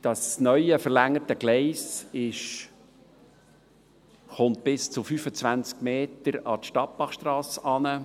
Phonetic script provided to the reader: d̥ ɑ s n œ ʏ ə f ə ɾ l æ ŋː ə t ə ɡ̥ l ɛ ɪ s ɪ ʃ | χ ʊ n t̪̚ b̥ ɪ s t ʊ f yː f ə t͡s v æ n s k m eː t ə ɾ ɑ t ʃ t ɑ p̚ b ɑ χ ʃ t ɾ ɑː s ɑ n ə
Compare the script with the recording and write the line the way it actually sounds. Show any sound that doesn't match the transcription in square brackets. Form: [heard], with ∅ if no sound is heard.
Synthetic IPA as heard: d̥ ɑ s n œ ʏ ə f ə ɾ l æ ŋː ə t ə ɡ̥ l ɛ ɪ s ɪ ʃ | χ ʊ n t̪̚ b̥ ɪ s [t͡s] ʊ f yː f ə t͡s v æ n [t͡s] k m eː t ə ɾ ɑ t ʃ t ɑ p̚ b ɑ χ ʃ t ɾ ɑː s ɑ n ə

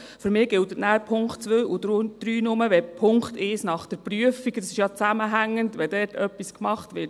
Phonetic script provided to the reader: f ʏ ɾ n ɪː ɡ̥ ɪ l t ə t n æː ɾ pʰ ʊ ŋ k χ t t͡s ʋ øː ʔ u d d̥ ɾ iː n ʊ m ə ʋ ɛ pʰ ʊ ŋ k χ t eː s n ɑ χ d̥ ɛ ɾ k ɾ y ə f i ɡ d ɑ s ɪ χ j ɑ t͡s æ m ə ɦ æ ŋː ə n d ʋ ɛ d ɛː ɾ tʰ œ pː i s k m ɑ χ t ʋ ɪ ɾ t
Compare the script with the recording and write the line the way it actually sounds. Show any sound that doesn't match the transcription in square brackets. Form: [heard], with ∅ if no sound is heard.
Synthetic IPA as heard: f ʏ ɾ [m] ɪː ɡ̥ ɪ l t ə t n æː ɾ pʰ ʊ ŋ k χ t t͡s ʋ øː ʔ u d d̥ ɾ [yː] n ʊ m ə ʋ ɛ pʰ ʊ ŋ k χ t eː s n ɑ χ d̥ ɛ ɾ [p] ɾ y ə f i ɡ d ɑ s ɪ [ʃ] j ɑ t͡s æ m ə ɦ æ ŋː ə n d ʋ ɛ d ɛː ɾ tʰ œ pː i s k m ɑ χ t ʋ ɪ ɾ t

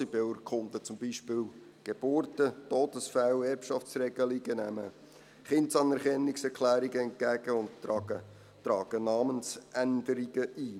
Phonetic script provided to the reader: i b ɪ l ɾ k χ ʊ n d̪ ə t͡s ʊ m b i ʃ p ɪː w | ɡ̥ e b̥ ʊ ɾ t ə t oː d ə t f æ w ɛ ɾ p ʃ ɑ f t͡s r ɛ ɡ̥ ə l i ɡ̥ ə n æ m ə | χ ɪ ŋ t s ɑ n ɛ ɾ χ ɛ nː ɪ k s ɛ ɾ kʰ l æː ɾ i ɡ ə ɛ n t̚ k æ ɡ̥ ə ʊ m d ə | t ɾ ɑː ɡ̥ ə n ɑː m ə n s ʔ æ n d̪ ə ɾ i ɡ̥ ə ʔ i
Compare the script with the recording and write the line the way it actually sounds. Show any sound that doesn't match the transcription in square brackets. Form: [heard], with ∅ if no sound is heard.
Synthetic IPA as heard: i b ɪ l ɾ k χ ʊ n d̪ ə t͡s ʊ m b i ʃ p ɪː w | ɡ̥ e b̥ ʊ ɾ t ə t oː d ə [s] f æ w ɛ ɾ p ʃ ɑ f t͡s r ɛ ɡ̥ ə l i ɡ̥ ə n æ m ə | χ ɪ [n] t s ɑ n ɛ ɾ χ ɛ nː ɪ k s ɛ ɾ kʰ l æː ɾ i ɡ ə ɛ n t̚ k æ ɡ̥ ə ʊ [n] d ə | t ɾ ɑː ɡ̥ ə n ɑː m ə n s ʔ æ n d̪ ə ɾ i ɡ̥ ə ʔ i

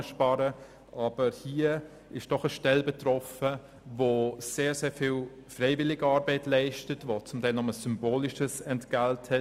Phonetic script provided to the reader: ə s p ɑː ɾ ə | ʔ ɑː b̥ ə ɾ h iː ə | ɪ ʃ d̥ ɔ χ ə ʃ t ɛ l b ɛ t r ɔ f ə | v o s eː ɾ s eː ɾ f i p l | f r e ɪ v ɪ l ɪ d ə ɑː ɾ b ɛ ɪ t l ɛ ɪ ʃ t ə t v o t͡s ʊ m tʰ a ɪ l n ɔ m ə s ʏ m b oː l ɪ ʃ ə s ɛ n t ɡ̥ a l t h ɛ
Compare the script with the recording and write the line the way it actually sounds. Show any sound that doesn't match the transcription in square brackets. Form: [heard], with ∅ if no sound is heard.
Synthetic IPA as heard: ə [ʃ] p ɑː ɾ ə | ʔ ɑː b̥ ə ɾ h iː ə | ɪ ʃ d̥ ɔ χ ə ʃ t ɛ l b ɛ t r ɔ f ə | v o s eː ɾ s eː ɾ f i [∅] l | f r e ɪ v ɪ l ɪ [ɡ] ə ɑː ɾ b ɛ ɪ t l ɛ ɪ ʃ t ə t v o t͡s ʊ m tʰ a ɪ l n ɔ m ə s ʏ m b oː l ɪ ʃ ə s ɛ n t ɡ̥ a l t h ɛ

